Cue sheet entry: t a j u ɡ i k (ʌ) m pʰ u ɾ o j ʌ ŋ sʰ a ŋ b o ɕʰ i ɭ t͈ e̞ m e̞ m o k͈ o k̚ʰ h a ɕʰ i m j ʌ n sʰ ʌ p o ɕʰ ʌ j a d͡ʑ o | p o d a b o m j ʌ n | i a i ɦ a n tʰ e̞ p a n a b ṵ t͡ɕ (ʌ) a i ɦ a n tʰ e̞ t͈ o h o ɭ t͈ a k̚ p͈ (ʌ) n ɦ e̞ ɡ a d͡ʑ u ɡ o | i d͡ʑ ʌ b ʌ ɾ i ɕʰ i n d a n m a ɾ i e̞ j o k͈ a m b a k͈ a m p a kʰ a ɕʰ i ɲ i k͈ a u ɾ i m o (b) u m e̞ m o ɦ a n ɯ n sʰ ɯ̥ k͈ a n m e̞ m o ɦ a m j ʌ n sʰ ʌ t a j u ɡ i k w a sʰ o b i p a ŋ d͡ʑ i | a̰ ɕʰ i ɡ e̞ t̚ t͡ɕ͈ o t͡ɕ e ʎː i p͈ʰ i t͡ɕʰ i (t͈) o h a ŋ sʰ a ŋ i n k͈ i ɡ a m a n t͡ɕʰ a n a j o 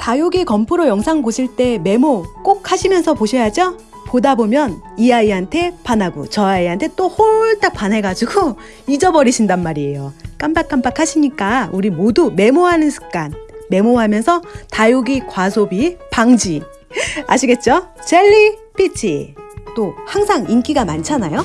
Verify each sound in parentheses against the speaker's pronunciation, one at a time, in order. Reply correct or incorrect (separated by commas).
correct, correct, incorrect, incorrect, correct